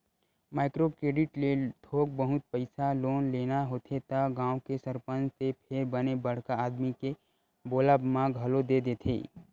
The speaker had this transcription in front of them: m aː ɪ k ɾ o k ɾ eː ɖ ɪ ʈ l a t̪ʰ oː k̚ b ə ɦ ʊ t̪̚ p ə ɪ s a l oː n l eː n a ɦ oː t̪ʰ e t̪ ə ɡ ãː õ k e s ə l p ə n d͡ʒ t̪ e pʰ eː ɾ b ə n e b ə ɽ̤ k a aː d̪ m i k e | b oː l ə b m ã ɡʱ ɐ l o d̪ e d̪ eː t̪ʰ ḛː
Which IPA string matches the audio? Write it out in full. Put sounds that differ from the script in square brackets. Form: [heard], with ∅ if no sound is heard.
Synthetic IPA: m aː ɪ k ɾ o k ɾ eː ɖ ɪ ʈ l [e] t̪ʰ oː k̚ b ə ɦ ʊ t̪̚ p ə ɪ s a l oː n l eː n a ɦ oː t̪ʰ e t̪ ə ɡ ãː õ k e s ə [ɾ] p ə n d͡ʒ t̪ e pʰ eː ɾ b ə n e b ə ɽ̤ k a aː d̪ m i k e | b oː l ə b m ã ɡʱ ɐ l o d̪ e d̪ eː t̪ʰ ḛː